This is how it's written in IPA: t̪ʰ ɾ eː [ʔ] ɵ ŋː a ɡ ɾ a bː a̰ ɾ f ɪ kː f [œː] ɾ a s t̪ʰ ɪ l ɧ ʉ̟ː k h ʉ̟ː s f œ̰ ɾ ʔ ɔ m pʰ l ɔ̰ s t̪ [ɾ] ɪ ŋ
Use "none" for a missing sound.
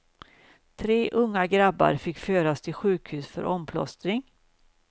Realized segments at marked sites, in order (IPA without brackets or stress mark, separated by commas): ʔ, øː, ɾ